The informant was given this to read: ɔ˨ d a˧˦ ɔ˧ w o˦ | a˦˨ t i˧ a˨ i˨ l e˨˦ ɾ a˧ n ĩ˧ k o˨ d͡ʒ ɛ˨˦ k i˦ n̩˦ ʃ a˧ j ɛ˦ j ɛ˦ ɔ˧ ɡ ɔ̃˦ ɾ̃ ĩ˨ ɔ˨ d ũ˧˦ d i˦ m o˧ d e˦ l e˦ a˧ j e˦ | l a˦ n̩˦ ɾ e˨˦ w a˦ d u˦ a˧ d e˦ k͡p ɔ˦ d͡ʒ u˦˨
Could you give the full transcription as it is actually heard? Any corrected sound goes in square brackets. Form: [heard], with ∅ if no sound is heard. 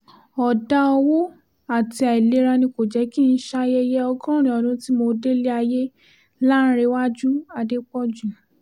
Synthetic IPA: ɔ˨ d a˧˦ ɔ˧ w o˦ | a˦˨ t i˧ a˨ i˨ l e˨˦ ɾ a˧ n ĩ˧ k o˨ d͡ʒ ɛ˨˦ k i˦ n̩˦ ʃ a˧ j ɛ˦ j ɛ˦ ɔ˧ ɡ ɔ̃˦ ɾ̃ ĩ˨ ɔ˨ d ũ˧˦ [t] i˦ m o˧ d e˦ l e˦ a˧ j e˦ | l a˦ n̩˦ ɾ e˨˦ w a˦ [d͡ʒ] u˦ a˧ d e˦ k͡p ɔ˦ d͡ʒ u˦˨